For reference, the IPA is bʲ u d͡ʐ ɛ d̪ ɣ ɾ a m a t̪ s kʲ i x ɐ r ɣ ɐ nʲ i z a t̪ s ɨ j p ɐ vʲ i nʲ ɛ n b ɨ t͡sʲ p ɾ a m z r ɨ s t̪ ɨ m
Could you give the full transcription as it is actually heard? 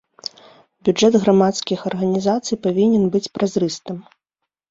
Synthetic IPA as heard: bʲ u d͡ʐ ɛ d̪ ɣ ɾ a m a t̪ s kʲ i x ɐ r ɣ ɐ nʲ i z a t̪ s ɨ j p a vʲ i nʲ ɛ n b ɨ t͡sʲ p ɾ a z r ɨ s t̪ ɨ m